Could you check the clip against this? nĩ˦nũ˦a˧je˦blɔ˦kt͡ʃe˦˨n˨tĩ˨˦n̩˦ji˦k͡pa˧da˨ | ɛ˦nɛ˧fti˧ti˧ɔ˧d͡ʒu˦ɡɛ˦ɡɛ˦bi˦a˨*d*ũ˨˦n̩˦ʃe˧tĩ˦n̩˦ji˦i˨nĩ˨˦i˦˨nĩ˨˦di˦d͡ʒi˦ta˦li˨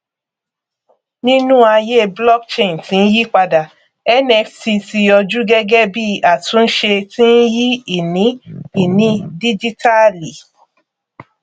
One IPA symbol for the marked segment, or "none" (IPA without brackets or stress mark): t